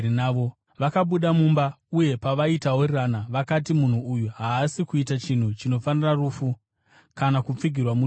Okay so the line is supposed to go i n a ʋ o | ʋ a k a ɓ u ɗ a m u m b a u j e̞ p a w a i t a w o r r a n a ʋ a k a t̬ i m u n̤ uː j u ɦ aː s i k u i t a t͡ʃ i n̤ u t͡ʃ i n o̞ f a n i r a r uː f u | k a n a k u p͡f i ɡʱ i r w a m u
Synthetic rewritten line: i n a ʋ o | ʋ a k a ɓ u ɗ a m u m b a u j e̞ p a ʋ a i t a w o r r a n a ʋ a k a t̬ i m u n̤ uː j u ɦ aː s i k u i t a t͡ʃ i n̤ u t͡ʃ i n o̞ f a n i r a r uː f u | k a n a k u p͡f i ɡʱ i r w a m u